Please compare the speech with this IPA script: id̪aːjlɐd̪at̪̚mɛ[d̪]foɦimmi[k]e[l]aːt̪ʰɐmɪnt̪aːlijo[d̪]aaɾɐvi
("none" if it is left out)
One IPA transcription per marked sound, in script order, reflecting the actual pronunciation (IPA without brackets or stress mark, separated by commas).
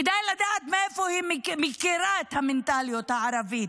none, k, ɾ, t̪